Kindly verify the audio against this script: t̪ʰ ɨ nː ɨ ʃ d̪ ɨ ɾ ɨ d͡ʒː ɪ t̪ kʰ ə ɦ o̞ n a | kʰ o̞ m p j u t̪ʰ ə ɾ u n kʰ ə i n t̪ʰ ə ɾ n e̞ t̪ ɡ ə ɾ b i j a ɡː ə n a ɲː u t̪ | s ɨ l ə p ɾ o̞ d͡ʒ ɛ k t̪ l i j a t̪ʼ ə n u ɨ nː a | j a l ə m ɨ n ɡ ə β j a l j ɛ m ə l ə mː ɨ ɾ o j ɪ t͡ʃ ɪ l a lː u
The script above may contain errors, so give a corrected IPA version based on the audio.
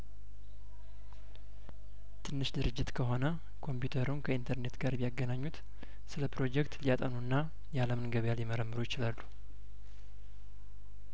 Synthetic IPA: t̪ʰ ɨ nː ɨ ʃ d̪ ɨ ɾ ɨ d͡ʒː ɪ t̪ kʰ ə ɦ o̞ n ə | kʰ o̞ m p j u t̪ʰ ə ɾ u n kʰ ə i n t̪ʰ ə ɾ n e̞ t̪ ɡ a ɾ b i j a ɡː ə n a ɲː u t̪ | s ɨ l ə p ɾ o̞ d͡ʒ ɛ k t̪ l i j a t̪ʼ ə n u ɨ nː a | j a l ə m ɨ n ɡ ə β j a l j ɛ m ə ɾ ə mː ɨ ɾ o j ɪ t͡ʃ ɪ l a lː u

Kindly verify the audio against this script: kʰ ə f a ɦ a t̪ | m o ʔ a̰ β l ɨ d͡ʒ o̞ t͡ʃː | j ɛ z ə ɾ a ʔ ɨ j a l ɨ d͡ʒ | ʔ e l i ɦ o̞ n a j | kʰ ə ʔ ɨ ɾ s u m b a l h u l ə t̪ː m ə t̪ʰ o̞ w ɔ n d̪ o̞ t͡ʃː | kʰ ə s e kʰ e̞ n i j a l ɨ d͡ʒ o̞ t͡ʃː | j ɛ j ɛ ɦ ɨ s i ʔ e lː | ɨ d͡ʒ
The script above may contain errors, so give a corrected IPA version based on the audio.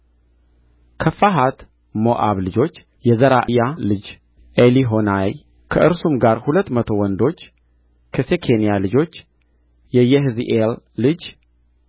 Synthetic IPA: kʰ ə f a ɦ a t̪ | m o ʔ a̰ β l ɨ d͡ʒ o̞ t͡ʃː | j ɛ z ə ɾ a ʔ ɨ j a l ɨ d͡ʒ | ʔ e l i ɦ o̞ n a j | kʰ ə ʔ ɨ ɾ s u m ɡ a ɾ h u l ə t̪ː m ə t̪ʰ o̞ w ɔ n d̪ o̞ t͡ʃː | kʰ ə s e kʰ e̞ n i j a l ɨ d͡ʒ o̞ t͡ʃː | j ɛ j ɛ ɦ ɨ z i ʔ e lː | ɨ d͡ʒ

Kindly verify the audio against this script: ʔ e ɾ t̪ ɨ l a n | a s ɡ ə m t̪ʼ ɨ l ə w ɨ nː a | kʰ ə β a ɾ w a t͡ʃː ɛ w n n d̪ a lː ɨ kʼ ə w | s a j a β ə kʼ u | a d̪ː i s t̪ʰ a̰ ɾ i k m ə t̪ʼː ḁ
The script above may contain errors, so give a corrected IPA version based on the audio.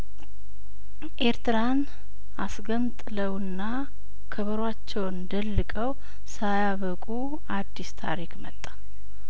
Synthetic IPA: ʔ e ɾ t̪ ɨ ɾ a n | a s ɡ ə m t̪ʼ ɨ l ə w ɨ nː a | kʰ ə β ə ɾ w a t͡ʃː ɛ w n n d̪ ə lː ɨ kʼ ə w | s a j a β ə kʼ u | a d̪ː i s t̪ʰ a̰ ɾ i k m ə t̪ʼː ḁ

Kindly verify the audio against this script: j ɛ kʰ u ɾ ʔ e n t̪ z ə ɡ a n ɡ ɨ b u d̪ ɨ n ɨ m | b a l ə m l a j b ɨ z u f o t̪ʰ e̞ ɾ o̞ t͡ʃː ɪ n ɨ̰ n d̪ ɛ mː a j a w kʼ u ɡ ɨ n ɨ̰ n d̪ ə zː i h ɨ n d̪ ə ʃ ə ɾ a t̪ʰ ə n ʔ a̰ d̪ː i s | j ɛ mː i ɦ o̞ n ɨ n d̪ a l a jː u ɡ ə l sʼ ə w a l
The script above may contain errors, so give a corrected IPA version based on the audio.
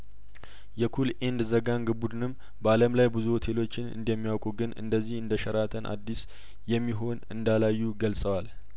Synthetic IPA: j ɛ kʰ u l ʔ e n d̪ z ə ɡ a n ɡ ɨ b u d̪ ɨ n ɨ m | b a l ə m l a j b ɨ z u h o t̪ʰ e̞ l o̞ t͡ʃː ɪ n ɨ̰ n d̪ ɛ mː i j a w kʼ u ɡ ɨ n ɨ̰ n d̪ ə zː i h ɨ n d̪ ə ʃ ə ɾ a t̪ʰ ə n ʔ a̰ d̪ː i s | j ɛ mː i ɦ o̞ n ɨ n d̪ a l a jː u ɡ ə l sʼ ə w a l

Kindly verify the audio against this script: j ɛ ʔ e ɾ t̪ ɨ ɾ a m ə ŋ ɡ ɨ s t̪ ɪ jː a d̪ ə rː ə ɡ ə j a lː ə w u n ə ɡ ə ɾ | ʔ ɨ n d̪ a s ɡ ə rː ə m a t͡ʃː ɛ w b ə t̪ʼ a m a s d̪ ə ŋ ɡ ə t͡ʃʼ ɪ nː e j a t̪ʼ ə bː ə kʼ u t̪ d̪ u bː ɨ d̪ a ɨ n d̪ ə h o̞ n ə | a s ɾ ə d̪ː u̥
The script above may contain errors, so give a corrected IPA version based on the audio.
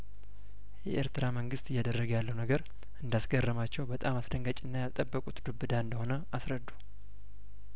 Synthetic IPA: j ɛ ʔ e ɾ t̪ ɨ ɾ a m ə ŋ ɡ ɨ s t̪ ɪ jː a d̪ ə rː ə ɡ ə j a lː ə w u n ə ɡ ə ɾ | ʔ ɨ n d̪ a s ɡ ə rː ə m a t͡ʃː ɛ w b ə t̪ʼ a m a s d̪ ə ŋ ɡ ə t͡ʃʼ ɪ nː a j a t̪ʼ ə bː ə kʼ u t̪ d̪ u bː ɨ d̪ a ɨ n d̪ ə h o̞ n ə | a s ɾ ə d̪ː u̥

